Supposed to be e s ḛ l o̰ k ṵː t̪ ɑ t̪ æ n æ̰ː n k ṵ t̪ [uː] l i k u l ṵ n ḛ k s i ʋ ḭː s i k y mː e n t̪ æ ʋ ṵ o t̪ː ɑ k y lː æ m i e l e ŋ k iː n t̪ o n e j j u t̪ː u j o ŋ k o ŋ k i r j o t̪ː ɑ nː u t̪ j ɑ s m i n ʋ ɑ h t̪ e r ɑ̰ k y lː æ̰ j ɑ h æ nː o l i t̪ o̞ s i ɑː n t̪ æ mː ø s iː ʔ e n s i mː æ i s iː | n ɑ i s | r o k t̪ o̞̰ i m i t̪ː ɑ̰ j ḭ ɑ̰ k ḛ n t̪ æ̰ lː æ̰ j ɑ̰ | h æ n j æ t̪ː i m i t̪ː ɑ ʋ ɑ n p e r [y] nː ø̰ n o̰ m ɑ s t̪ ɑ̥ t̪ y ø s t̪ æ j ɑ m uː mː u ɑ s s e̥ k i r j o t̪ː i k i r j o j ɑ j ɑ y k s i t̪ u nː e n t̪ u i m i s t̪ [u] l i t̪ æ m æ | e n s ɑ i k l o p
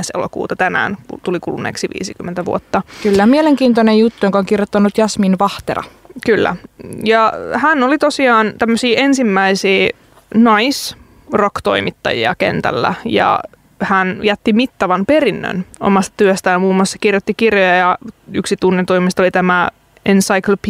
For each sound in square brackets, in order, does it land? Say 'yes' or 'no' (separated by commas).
no, no, no